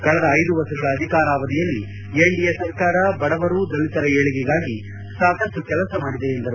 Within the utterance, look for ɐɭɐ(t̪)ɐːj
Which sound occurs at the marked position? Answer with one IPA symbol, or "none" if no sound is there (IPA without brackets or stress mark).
d̪